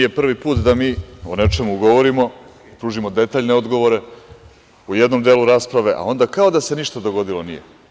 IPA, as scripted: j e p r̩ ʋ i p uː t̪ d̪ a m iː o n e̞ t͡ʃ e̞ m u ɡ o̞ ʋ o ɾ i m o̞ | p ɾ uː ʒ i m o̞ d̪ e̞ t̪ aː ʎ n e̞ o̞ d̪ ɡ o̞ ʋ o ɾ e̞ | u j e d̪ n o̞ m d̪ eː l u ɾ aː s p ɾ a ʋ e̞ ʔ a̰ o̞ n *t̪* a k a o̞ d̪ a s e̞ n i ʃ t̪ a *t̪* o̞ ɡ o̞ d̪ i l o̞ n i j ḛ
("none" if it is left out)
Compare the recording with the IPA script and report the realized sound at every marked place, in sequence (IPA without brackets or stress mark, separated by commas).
d̪, d̪